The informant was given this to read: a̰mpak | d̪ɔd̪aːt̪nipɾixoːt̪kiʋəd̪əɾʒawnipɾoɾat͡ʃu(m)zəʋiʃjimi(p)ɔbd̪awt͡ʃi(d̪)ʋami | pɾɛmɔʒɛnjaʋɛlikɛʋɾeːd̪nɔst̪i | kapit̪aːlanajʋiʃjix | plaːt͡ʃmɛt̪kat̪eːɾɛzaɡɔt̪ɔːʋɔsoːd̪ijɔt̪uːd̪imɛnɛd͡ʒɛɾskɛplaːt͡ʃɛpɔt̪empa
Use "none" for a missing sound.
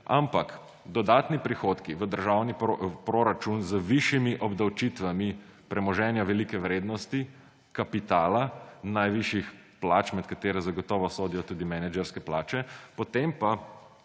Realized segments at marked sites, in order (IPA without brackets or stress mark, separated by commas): n, ʔ, t̪